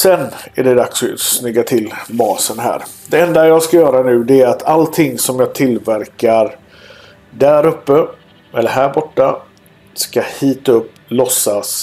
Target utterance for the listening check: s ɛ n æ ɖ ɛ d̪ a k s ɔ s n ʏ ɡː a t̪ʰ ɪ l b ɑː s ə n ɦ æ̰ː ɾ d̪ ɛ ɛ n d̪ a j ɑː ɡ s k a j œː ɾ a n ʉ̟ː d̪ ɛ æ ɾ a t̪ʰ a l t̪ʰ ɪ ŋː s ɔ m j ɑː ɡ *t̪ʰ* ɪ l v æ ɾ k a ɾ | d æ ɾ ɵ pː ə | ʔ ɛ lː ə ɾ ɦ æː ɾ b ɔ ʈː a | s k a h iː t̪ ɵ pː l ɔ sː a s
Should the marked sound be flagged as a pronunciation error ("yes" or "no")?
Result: no